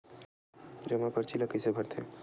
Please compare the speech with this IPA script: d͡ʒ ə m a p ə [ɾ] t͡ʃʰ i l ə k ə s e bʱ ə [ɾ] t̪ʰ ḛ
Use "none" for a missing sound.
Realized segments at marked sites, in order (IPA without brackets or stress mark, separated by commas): ɾ, ɾ